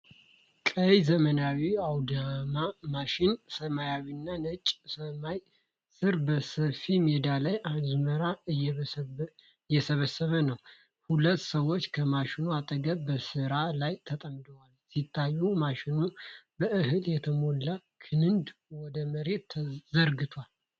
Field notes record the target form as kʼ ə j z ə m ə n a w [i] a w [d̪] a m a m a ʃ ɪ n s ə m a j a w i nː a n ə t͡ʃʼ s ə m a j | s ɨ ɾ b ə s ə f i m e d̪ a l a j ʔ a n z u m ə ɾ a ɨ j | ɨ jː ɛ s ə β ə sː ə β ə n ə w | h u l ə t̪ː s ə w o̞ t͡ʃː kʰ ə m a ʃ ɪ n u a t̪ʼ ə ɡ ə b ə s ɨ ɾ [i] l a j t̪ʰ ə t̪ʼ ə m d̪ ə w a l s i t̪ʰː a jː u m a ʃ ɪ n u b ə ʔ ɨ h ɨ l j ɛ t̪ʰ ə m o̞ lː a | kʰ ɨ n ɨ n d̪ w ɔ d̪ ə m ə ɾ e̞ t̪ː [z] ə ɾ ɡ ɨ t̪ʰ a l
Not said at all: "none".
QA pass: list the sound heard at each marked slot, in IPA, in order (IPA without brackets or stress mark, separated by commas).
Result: i, d̪, a, z